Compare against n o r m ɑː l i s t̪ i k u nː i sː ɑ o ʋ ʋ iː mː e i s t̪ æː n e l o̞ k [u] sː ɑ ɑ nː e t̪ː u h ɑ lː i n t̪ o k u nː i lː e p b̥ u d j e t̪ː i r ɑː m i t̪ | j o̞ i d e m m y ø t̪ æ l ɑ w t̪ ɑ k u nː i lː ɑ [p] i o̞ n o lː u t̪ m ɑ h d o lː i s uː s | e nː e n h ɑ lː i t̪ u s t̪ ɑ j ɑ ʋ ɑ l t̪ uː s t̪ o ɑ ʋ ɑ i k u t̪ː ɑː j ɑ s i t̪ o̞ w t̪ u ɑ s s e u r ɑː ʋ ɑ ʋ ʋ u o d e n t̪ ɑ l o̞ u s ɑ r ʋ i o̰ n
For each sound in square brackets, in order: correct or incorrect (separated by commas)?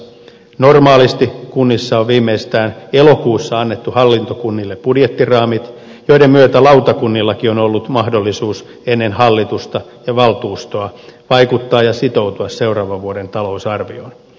incorrect, incorrect